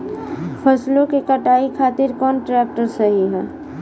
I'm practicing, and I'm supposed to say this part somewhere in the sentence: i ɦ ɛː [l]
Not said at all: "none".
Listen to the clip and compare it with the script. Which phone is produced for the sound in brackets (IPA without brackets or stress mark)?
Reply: none